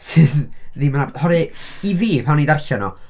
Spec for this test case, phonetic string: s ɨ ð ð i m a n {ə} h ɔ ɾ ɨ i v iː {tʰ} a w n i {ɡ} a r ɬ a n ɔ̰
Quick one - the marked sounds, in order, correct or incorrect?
incorrect, incorrect, incorrect

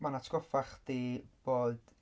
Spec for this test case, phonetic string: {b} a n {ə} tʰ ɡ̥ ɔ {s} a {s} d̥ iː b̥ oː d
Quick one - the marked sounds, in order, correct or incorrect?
incorrect, incorrect, incorrect, incorrect

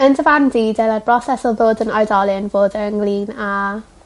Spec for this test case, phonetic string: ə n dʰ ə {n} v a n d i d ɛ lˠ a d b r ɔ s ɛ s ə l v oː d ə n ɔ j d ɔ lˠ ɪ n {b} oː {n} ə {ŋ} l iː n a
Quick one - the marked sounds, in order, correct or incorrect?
incorrect, incorrect, incorrect, correct

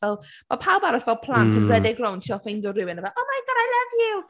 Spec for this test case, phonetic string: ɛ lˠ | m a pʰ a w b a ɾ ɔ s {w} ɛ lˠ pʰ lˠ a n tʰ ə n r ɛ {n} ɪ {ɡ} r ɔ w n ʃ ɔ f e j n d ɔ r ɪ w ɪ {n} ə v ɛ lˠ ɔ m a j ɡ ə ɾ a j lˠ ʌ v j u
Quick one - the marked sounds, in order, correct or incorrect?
incorrect, incorrect, correct, correct

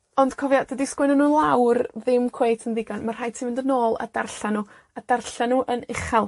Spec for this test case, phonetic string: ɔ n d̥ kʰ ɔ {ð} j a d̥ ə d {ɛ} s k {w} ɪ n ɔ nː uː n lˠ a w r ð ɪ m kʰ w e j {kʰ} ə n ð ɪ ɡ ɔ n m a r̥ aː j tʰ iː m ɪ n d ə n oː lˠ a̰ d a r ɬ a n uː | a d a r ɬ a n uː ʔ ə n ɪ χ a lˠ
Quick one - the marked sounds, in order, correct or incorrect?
incorrect, incorrect, correct, incorrect

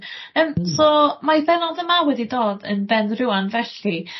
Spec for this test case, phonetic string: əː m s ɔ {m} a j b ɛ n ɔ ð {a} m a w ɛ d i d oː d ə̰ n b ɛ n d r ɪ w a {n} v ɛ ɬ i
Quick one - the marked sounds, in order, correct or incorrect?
correct, incorrect, correct

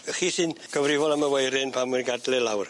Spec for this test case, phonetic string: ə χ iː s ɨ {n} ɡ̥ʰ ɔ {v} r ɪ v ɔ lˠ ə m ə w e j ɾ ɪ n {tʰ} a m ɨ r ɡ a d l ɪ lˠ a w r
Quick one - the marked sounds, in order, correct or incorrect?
correct, correct, incorrect

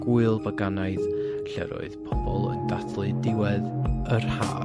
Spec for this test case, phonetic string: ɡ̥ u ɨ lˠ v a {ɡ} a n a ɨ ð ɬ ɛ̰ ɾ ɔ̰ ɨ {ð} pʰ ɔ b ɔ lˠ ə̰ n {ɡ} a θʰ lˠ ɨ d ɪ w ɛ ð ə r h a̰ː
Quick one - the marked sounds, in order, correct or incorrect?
correct, correct, incorrect

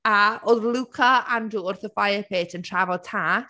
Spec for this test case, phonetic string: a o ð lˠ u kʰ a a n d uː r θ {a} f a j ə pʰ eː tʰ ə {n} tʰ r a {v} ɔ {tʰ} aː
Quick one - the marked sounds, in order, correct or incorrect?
incorrect, correct, correct, correct

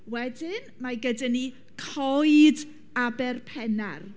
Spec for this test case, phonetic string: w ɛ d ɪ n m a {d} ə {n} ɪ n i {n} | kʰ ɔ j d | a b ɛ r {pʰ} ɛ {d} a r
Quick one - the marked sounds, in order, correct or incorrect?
incorrect, incorrect, incorrect, correct, incorrect

